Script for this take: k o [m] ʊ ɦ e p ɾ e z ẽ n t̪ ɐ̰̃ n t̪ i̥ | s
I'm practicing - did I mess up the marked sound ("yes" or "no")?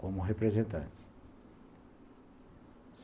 no